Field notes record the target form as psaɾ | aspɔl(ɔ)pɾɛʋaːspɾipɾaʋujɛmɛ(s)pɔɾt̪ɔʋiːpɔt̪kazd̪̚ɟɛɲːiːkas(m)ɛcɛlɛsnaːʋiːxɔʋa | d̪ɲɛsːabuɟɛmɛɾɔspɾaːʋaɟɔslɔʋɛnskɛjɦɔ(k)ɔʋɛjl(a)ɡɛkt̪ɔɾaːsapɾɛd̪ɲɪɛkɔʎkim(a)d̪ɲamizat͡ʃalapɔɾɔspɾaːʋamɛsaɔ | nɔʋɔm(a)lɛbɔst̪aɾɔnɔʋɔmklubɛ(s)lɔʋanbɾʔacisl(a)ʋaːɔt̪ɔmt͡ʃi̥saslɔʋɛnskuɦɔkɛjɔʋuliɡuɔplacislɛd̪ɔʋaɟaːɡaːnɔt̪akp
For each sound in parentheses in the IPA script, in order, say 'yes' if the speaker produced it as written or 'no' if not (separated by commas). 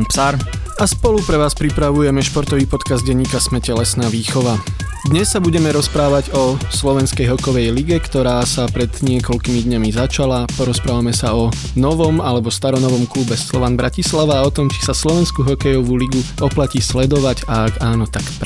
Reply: no, no, yes, yes, no, no, yes, yes, yes